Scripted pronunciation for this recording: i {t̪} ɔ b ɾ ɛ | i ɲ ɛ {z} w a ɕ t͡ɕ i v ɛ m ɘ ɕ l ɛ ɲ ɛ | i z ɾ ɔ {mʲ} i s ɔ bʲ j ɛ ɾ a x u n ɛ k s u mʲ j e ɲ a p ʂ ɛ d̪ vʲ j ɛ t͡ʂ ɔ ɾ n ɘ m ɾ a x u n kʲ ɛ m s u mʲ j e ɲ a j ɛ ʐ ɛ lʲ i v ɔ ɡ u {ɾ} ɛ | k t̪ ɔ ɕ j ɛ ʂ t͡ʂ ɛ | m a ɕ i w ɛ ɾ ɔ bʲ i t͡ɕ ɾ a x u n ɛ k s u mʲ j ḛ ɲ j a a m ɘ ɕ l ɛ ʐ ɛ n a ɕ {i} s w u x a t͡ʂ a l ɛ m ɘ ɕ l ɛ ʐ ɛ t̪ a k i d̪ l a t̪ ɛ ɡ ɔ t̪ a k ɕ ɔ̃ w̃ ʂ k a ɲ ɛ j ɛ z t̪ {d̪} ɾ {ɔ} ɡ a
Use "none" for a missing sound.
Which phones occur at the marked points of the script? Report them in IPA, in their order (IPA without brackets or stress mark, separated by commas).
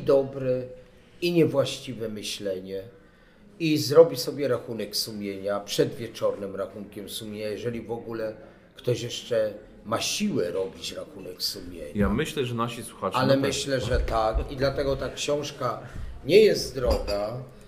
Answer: d̪, v, bʲ, l, i, d̪, ɔ